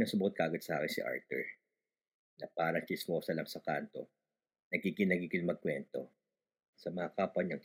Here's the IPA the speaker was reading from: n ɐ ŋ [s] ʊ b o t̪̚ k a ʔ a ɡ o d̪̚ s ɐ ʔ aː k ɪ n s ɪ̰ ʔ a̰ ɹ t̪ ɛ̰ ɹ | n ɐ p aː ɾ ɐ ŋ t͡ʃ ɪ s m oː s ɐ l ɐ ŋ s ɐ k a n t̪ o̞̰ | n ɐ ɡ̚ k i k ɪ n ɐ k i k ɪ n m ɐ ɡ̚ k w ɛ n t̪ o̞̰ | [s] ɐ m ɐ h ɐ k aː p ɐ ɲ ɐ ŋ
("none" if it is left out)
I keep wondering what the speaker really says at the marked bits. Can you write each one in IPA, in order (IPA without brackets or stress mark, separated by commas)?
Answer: s, s